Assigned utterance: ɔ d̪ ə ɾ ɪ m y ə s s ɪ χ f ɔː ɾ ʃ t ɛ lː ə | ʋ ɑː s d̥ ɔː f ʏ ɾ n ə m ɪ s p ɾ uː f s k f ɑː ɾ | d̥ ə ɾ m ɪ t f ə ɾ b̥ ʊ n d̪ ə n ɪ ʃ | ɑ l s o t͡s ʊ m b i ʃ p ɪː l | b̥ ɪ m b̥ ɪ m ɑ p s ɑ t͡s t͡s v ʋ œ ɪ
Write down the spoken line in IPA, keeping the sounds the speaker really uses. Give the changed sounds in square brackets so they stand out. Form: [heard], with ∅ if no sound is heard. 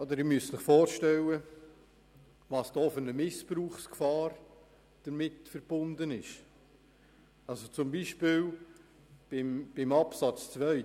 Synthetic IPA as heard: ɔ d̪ ə ɾ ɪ m y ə s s ɪ χ f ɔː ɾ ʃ t ɛ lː ə | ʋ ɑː s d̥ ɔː f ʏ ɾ n ə m ɪ s p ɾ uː [χ] s k f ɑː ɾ | d̥ ə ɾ m ɪ t f ə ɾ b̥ ʊ n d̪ ə n ɪ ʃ | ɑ l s o t͡s ʊ m b i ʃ p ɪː l | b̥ ɪ m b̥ ɪ m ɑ p s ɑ t͡s t͡s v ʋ œ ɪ